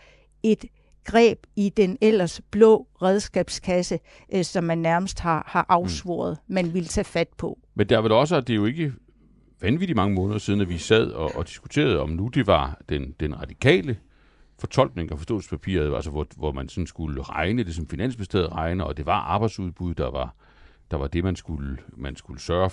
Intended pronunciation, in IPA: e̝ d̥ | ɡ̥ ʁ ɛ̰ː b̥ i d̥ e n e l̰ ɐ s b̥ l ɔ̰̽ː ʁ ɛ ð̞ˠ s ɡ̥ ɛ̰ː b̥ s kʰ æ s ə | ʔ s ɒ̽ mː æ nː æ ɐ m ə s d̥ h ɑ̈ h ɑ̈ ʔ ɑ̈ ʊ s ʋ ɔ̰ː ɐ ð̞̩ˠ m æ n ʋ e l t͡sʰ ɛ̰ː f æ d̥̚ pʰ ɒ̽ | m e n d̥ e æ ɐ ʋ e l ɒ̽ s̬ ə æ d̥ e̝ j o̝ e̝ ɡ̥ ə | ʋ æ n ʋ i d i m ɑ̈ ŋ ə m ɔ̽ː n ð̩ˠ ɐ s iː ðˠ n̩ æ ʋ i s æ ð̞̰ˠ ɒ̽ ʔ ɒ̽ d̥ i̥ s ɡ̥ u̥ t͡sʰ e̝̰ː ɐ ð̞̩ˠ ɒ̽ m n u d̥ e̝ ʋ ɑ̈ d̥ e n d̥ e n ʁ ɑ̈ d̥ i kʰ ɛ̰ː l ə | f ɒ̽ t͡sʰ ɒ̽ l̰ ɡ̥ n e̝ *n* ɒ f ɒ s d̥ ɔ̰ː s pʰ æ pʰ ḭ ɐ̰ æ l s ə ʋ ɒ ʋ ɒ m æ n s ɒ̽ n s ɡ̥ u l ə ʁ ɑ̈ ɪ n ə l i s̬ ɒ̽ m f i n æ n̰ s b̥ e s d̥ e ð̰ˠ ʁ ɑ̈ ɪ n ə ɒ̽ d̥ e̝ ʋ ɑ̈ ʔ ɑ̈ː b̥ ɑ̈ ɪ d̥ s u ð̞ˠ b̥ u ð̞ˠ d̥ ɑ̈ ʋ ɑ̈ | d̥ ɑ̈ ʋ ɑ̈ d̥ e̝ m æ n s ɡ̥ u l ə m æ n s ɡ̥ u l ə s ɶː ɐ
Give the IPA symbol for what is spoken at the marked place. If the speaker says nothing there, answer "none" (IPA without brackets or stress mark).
ŋ